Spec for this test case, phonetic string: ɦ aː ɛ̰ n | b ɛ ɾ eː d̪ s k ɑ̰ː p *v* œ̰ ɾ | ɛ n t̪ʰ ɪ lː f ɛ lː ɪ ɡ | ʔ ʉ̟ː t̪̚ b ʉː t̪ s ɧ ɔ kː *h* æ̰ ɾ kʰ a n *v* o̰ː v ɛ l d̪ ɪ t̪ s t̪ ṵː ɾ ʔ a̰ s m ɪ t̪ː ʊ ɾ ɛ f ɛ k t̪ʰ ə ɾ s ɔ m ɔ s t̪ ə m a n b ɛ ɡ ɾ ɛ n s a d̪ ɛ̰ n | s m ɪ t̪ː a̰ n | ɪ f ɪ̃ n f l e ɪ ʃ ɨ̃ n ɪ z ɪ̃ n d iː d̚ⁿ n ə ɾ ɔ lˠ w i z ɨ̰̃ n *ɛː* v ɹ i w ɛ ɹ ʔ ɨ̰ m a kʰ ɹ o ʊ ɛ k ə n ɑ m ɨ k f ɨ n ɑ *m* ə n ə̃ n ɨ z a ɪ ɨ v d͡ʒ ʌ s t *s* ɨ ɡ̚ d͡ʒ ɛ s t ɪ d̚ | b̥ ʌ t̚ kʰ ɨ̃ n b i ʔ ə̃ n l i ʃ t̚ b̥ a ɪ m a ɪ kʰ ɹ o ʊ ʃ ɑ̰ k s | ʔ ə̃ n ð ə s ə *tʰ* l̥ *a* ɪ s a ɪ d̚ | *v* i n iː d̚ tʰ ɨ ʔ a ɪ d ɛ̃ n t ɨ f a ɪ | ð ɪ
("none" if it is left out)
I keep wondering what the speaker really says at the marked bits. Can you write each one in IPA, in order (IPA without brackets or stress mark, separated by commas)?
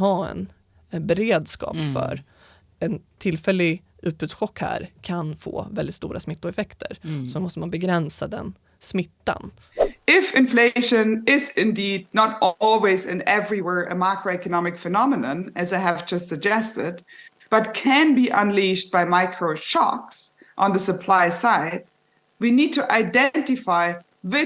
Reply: f, h, f, ɛ, m, s, pʰ, a, w